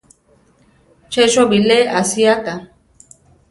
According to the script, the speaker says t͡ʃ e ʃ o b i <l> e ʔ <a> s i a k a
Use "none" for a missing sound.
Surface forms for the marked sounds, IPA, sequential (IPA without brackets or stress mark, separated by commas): l, a